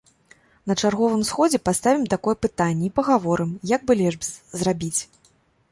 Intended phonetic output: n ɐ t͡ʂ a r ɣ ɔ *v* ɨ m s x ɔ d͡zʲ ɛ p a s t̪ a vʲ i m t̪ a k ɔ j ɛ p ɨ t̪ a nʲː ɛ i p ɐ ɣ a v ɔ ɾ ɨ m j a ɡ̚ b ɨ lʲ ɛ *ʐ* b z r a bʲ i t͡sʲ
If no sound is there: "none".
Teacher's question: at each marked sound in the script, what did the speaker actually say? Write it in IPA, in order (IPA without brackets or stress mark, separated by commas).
v, ʐ